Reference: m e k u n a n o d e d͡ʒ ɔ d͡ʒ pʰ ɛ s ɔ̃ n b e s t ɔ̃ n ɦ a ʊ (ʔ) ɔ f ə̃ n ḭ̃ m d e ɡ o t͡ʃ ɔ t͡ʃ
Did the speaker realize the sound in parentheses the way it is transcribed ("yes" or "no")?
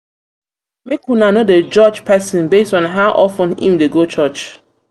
yes